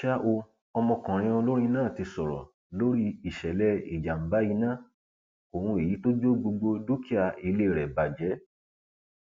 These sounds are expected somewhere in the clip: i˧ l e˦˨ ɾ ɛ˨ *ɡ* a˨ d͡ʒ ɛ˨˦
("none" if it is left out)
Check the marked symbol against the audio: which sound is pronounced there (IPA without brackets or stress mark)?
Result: b